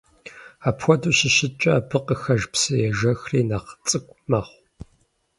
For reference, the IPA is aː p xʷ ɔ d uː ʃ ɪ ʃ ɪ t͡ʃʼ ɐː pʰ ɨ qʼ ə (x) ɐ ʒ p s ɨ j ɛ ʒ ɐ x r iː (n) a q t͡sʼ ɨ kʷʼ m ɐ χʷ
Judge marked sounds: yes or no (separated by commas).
yes, yes